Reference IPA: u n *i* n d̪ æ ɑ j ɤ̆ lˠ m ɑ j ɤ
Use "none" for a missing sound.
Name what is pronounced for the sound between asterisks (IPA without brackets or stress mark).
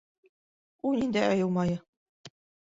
i